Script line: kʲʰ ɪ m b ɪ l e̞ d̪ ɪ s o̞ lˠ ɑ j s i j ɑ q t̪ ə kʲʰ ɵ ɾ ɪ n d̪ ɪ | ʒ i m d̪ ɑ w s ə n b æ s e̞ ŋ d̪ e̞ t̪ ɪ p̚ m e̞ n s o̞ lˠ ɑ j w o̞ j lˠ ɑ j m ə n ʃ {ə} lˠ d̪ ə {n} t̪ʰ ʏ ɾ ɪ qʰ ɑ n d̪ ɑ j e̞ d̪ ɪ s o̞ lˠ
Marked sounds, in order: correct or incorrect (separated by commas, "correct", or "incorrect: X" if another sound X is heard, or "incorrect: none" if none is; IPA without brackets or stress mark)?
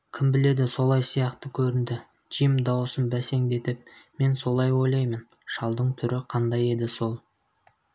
incorrect: ɑ, incorrect: ɴ